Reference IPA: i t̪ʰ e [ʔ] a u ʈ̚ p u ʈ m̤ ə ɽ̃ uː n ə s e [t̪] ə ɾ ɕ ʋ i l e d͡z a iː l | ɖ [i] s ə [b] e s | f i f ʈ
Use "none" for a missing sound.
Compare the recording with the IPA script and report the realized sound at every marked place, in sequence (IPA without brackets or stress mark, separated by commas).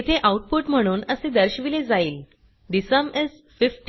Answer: ʔ, d̪, i, m